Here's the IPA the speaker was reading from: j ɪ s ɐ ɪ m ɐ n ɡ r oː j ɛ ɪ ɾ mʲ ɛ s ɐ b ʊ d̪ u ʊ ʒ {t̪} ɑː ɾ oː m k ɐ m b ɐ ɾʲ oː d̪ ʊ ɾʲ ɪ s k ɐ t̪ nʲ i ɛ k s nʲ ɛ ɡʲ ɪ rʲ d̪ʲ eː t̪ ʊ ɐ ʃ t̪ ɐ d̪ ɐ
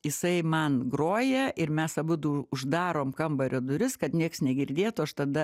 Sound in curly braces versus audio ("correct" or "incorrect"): incorrect